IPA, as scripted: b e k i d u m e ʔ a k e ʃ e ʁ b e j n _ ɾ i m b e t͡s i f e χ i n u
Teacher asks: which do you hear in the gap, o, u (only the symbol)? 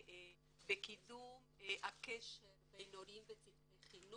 o